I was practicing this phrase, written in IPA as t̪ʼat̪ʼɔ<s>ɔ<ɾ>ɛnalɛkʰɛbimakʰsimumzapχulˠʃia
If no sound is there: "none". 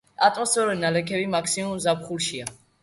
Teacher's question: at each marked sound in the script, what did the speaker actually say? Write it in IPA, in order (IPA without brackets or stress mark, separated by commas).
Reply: s, ɾ